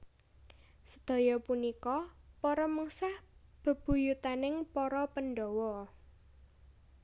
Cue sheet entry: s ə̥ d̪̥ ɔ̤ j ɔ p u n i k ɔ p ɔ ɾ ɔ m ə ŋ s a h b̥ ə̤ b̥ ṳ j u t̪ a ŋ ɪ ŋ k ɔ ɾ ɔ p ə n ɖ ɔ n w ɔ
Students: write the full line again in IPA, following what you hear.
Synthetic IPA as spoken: s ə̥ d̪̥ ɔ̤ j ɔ p u n i k ɔ p ɔ ɾ ɔ m ə ŋ s a h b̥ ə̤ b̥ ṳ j u t̪ a n ɪ ŋ p ɔ ɾ ɔ p ə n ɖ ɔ w ɔ